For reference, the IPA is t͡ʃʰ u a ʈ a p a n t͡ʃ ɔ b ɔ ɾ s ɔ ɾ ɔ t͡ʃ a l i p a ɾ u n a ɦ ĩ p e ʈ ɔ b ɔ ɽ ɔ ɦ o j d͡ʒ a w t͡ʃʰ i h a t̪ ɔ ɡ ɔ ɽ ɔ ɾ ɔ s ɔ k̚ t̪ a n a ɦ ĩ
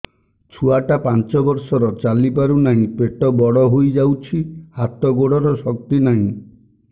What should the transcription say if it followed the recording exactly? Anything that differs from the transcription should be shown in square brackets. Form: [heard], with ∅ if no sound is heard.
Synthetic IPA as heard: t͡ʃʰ u a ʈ a p a n t͡ʃ ɔ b ɔ ɾ s ɔ ɾ ɔ t͡ʃ a l i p a ɾ u n a ɦ ĩ p e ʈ ɔ b ɔ ɽ ɔ ɦ o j d͡ʒ a w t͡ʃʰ i h a t̪ ɔ ɡ [o] ɽ ɔ ɾ ɔ s ɔ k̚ t̪ [i] n a ɦ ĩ